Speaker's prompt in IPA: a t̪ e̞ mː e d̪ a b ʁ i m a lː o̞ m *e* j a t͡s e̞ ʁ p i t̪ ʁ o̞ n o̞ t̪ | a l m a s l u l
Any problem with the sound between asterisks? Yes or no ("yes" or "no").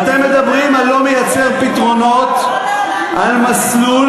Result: no